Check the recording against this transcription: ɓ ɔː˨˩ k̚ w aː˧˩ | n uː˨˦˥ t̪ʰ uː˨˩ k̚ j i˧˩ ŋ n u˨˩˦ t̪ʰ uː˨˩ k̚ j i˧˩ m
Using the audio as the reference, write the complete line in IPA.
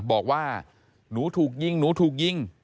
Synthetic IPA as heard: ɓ ɔː˨˩ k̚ w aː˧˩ | n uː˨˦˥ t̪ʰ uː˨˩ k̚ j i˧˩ ŋ n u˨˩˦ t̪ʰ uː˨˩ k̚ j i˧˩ ŋ